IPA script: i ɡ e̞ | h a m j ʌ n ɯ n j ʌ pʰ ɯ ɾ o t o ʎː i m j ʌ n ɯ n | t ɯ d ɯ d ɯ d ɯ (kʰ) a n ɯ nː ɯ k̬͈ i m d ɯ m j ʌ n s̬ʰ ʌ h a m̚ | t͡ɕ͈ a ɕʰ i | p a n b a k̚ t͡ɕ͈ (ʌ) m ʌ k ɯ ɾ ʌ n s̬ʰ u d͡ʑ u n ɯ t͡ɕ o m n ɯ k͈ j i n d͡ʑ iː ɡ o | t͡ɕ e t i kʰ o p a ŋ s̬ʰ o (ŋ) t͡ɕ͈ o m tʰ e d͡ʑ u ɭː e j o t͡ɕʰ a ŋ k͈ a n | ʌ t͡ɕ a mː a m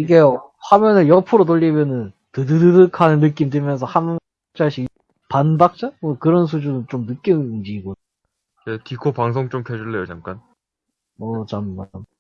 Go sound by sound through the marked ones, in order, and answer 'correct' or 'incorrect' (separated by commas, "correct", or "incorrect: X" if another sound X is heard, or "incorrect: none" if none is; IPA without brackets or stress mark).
correct, incorrect: a, correct